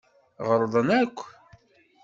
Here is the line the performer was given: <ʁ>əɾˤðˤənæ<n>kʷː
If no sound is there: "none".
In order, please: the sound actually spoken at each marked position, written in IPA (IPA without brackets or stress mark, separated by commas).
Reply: ʁ, none